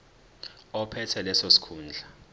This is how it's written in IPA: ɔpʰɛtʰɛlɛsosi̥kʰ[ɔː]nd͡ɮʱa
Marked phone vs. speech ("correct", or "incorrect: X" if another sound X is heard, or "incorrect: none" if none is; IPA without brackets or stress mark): incorrect: uː